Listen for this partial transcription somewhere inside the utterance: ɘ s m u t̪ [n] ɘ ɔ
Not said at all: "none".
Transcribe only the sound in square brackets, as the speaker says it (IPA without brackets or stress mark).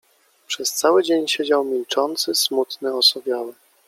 n